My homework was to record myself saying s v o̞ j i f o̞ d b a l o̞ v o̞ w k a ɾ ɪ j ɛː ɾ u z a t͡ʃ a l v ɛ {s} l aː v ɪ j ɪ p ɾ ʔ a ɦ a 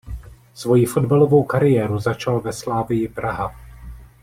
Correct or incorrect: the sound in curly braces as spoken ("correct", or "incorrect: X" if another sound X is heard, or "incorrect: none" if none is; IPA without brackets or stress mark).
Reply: correct